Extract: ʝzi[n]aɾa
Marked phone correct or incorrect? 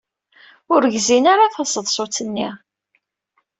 correct